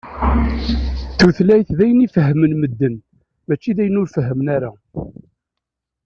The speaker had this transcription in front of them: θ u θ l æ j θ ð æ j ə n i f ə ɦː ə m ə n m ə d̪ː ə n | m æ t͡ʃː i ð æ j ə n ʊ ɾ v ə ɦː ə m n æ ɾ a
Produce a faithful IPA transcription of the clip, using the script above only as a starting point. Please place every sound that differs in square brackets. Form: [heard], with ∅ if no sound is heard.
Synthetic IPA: θ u θ l æ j θ ð æ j ə n i f ə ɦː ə m ə n m ə d̪ː ə n | m æ t͡ʃː i ð æ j ə n ʊ ɾ [f] ə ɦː ə m n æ ɾ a